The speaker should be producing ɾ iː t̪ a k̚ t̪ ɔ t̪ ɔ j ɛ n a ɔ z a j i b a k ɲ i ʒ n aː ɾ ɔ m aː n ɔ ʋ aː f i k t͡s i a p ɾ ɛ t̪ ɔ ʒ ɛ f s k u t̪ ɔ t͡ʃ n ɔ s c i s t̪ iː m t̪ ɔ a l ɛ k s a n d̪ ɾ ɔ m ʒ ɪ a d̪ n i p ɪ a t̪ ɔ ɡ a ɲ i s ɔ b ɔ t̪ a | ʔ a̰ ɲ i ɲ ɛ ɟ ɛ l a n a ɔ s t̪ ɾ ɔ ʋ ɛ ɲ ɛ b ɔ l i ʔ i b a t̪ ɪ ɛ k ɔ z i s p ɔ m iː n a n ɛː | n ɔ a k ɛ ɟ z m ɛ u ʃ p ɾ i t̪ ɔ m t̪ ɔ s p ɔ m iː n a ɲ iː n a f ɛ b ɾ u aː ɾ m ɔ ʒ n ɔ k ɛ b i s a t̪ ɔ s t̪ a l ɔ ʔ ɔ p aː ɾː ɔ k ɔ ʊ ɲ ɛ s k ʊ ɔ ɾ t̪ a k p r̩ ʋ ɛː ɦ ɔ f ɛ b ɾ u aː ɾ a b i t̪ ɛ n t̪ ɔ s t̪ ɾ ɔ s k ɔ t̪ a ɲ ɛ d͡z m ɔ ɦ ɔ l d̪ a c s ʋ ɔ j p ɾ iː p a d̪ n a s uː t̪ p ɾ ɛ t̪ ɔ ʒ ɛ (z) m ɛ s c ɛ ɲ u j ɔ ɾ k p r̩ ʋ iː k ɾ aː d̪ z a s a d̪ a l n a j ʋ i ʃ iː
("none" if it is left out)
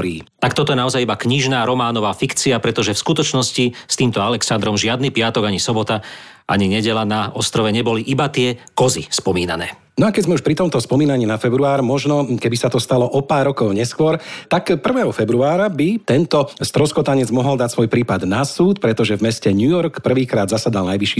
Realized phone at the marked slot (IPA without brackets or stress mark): v